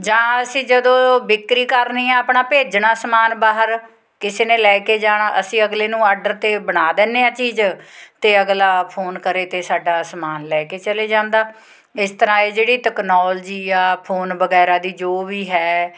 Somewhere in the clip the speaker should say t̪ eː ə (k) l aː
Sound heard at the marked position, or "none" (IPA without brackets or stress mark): ɡ